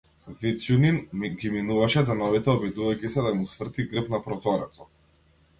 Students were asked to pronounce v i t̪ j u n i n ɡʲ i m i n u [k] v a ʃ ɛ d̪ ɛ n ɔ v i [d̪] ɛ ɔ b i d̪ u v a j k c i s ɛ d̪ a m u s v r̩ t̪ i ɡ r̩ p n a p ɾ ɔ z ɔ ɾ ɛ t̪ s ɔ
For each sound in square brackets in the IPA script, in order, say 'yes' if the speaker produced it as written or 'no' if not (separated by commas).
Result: no, no